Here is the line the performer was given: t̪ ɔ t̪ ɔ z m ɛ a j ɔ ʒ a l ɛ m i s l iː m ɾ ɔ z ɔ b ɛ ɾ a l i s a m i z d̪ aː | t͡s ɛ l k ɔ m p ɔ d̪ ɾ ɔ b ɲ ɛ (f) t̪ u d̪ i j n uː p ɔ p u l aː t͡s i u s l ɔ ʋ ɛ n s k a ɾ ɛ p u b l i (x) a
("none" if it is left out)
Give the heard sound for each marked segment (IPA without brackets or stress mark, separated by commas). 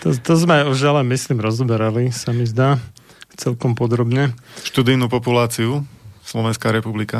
ʃ, k